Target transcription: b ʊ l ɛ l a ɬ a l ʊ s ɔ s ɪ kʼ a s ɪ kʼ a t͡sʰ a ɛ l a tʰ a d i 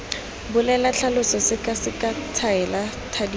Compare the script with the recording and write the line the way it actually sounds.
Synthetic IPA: b ʊ l ɛ l a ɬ a l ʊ s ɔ s ɪ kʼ a s ɪ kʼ a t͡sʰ a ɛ l a tʰ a d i

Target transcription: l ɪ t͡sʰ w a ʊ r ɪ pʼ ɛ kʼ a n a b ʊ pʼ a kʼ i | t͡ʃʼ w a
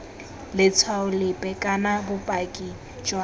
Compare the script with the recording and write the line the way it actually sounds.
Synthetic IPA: l ɪ t͡sʰ w a ʊ l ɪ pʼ ɛ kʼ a n a b ʊ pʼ a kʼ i | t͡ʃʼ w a

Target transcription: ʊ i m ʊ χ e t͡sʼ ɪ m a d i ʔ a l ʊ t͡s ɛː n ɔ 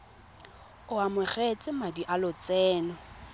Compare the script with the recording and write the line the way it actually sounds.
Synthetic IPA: ʊ a m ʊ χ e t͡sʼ ɪ m a d i ʔ a l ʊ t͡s ɛː n ɔ

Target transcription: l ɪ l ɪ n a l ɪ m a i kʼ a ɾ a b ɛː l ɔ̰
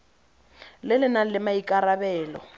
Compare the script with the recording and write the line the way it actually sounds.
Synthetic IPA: l ɪ l ɪ n a l ɪ m a i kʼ a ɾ a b ɛː l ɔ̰

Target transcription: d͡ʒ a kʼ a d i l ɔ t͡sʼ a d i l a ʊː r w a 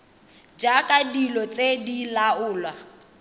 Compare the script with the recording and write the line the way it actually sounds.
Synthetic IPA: d͡ʒ a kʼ a d i l ɔ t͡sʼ e d i l a ʊː l w a

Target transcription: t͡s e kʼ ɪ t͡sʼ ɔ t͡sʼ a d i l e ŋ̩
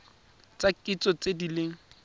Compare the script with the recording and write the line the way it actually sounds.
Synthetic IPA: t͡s a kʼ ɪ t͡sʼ ɔ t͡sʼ e d i l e ŋ̩

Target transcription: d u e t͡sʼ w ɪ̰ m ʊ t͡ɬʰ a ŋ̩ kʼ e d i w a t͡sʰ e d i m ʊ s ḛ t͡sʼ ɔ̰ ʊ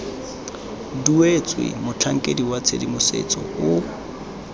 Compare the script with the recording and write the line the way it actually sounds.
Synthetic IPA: d u e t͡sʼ w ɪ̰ m ʊ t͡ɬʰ a ŋ̩ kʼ e d i w a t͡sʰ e d i m ʊ s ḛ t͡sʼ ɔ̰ ʊ

